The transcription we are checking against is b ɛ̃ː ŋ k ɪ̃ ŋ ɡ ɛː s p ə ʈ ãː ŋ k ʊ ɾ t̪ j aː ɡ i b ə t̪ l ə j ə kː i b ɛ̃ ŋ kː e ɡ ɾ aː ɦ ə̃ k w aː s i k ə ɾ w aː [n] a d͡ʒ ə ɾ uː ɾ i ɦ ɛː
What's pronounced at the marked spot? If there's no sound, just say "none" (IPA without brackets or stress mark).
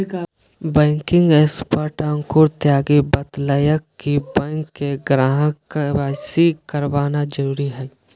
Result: n